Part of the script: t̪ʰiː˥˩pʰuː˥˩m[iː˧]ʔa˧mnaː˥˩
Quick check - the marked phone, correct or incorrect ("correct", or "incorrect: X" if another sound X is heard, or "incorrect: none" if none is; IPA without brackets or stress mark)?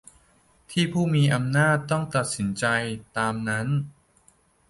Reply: correct